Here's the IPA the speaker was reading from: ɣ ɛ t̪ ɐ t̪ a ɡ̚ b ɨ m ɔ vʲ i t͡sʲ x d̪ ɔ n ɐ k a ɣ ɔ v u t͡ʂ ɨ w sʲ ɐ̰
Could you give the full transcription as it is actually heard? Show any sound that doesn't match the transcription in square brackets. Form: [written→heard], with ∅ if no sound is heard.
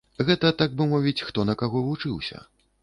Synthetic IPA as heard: ɣ ɛ t̪ ɐ t̪ a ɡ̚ b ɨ m ɔ vʲ i t͡sʲ x [d̪→t̪] ɔ n ɐ k a ɣ ɔ v u t͡ʂ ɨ w sʲ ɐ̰